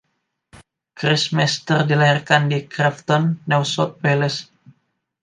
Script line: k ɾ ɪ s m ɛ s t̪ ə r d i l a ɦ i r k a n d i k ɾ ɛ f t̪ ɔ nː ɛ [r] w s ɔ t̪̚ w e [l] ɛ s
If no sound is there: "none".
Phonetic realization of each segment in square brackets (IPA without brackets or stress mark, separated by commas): none, l